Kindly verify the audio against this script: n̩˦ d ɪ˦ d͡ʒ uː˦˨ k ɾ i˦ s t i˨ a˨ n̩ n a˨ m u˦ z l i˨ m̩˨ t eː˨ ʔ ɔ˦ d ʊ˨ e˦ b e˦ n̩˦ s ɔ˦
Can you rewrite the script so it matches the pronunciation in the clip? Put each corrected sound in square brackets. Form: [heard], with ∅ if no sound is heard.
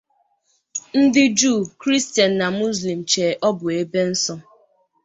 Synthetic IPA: n̩˦ d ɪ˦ d͡ʒ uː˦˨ k ɾ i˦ s t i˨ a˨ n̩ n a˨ m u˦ z l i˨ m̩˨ [t͡ʃ] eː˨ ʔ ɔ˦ [b] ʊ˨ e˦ b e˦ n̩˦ s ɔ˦